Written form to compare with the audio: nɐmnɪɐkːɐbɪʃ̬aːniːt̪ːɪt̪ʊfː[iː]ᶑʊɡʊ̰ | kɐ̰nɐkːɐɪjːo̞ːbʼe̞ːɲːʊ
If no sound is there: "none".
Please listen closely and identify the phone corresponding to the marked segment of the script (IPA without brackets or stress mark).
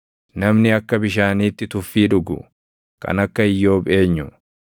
iː